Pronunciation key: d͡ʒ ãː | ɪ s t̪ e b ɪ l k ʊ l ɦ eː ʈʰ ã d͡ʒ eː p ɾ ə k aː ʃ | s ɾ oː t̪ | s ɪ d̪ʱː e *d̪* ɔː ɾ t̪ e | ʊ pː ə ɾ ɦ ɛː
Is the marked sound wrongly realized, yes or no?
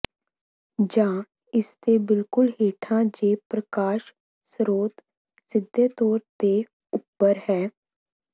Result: yes